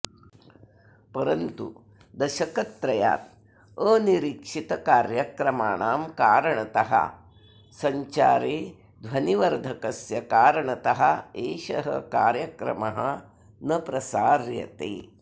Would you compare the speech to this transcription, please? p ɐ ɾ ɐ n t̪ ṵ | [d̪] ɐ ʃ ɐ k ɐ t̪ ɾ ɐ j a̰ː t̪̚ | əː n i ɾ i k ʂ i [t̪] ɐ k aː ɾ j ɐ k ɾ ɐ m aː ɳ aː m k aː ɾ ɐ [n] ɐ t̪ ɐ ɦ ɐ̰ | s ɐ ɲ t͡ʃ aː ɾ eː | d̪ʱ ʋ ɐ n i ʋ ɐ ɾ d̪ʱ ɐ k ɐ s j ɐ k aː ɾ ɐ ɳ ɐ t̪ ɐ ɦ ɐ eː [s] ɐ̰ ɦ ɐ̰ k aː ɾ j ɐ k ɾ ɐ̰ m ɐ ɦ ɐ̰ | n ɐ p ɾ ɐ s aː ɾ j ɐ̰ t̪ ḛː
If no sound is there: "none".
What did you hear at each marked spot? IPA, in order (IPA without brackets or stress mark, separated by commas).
d̪, t̪, ɳ, ʃ